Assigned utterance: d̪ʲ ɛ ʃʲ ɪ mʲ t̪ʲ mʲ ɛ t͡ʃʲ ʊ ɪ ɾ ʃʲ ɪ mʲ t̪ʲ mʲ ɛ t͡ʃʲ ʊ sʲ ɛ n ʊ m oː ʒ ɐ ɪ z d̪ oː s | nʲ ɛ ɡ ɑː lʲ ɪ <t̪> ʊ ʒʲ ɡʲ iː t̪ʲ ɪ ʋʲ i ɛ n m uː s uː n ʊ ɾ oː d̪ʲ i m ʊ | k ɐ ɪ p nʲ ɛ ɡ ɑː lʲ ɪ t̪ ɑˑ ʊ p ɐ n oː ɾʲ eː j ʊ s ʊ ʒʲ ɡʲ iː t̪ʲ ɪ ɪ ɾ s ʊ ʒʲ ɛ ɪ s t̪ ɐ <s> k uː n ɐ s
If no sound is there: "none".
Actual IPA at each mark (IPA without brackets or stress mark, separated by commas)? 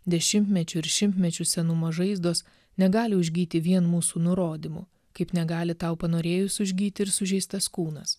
none, s